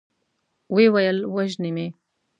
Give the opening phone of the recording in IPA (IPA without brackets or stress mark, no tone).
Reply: w